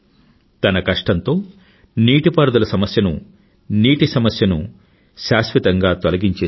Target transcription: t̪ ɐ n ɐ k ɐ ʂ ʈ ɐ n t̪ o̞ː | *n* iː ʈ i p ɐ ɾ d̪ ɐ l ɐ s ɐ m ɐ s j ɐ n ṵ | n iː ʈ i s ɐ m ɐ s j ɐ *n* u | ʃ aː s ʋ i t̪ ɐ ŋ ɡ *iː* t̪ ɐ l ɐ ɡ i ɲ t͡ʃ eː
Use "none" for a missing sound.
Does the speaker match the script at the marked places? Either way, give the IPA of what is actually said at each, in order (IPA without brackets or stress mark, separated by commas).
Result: n, n, aː